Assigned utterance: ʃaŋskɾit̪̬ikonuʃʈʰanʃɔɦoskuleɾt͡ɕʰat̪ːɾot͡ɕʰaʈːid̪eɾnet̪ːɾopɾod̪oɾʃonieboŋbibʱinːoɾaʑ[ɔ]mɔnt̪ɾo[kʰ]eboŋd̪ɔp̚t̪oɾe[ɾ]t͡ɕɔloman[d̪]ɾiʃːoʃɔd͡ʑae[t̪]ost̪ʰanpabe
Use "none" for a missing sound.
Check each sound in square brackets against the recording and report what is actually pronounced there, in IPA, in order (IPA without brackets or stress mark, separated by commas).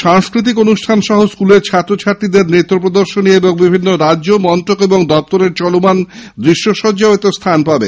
o, k, ɾ, d̪, t̪